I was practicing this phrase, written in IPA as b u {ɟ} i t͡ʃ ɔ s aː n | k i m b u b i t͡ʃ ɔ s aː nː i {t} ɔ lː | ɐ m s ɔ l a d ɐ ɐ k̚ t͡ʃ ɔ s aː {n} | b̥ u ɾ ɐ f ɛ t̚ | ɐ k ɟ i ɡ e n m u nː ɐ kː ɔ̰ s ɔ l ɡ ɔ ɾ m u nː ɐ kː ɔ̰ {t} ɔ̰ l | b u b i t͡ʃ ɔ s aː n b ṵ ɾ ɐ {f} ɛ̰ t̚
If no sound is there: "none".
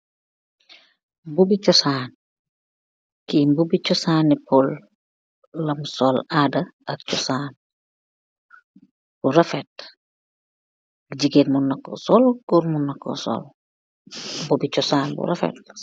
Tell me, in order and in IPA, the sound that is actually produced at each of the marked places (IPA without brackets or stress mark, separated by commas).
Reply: b, p, n, s, f